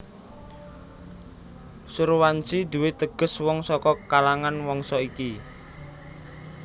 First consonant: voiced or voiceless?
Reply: voiceless